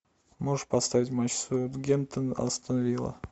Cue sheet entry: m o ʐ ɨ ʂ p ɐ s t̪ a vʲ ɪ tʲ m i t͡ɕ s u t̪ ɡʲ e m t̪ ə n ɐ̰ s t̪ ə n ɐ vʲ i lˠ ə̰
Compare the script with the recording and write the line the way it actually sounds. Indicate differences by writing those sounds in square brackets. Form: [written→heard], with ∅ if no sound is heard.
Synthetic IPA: m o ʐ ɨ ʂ p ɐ s t̪ a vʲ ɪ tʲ m [i→a] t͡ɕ s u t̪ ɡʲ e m t̪ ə n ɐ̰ s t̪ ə n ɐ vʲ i lˠ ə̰